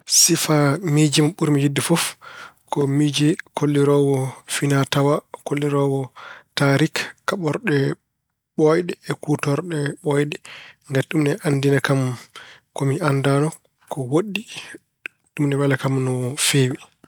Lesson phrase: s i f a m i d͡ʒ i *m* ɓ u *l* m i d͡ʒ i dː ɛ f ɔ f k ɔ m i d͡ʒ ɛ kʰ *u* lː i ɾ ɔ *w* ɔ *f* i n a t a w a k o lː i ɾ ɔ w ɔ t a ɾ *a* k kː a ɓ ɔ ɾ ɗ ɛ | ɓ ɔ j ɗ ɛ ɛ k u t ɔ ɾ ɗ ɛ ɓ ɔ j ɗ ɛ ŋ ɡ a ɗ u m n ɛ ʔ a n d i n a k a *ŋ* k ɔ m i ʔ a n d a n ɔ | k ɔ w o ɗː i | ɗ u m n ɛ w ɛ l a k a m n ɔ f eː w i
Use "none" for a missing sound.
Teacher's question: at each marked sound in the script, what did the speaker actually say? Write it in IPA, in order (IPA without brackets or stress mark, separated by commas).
m, ɾ, o, w, f, i, m